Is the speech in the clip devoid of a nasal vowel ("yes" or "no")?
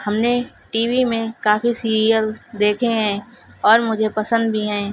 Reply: no